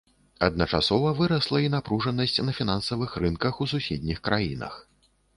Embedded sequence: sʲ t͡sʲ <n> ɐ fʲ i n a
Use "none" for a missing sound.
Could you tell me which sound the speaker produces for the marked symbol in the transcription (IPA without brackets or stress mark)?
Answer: n